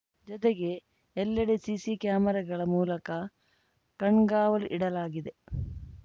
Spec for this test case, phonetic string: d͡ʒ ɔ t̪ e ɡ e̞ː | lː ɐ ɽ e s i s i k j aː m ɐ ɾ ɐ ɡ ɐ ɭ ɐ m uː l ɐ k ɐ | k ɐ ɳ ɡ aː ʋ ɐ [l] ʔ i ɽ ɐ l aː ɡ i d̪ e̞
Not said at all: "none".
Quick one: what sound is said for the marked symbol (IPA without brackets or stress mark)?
l